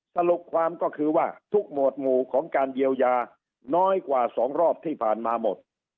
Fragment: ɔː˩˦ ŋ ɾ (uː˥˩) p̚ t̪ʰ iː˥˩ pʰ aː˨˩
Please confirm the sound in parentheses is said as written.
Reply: no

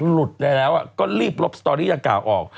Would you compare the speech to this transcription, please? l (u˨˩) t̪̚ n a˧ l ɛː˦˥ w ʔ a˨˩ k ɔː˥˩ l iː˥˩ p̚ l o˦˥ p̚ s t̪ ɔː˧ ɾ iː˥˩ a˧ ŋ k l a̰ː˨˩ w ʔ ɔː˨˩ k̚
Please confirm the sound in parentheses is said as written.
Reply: yes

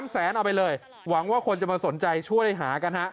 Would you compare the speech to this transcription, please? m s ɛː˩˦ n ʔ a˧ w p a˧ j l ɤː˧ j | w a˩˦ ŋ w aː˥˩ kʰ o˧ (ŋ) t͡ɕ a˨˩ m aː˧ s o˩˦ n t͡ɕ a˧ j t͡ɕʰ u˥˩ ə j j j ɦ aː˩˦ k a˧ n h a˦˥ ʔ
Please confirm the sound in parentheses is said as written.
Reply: no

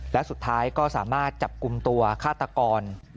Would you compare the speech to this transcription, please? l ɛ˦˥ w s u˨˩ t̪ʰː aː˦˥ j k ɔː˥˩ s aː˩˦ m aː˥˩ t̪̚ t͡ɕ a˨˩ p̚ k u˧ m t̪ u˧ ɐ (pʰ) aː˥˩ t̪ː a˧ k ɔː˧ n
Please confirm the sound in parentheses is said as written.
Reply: no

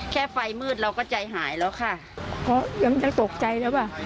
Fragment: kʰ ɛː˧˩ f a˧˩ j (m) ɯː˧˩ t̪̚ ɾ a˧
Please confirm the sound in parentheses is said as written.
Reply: yes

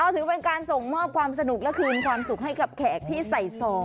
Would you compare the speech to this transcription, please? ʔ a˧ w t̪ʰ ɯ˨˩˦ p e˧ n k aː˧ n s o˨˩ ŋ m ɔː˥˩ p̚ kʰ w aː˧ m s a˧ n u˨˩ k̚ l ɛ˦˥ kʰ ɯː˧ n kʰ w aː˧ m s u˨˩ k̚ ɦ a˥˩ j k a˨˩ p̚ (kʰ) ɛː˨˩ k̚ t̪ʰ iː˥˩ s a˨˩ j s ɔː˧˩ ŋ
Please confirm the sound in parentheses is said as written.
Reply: yes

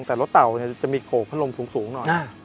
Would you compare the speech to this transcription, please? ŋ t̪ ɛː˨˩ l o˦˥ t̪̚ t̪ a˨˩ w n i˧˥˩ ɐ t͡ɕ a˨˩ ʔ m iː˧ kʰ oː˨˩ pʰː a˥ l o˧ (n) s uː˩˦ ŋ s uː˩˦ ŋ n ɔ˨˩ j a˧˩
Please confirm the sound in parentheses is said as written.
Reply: no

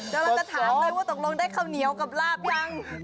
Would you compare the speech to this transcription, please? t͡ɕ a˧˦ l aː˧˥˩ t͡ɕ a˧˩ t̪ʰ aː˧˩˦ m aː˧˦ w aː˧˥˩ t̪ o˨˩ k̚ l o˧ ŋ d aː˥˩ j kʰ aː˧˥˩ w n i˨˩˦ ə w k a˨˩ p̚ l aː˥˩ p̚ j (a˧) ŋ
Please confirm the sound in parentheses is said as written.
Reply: no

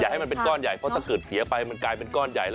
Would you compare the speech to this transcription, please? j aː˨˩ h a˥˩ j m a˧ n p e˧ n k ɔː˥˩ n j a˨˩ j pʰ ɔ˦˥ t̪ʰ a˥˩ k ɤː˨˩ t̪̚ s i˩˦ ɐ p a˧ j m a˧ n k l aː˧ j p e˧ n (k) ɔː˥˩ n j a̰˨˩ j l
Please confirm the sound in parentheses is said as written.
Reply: yes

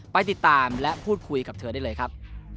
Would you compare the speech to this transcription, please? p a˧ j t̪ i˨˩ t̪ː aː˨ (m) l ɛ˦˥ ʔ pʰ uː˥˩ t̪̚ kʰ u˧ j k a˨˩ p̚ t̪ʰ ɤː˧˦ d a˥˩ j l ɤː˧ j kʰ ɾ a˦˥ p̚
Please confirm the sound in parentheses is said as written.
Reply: yes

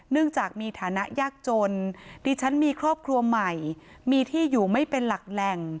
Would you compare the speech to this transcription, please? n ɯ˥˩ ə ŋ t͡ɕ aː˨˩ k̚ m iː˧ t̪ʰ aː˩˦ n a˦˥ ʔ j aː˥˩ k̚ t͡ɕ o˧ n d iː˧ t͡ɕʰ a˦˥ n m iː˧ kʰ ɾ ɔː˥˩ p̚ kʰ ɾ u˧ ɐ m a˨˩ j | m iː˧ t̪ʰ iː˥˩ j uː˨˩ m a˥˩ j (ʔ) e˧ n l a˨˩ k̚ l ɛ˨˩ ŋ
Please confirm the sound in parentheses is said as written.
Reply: no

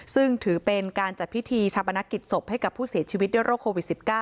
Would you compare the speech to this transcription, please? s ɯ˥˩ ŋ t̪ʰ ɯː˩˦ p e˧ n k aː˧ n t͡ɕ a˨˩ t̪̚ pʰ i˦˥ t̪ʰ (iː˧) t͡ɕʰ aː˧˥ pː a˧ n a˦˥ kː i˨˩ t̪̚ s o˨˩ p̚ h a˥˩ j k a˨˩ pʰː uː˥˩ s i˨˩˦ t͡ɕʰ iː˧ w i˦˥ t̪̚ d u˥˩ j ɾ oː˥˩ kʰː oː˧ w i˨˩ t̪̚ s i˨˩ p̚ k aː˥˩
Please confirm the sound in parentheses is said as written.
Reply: yes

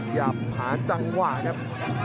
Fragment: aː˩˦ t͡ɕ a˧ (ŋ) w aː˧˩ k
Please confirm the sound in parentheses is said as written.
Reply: yes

